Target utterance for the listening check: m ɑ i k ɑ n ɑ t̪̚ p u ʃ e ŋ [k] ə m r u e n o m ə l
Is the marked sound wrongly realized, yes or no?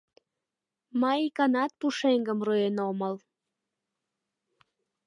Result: yes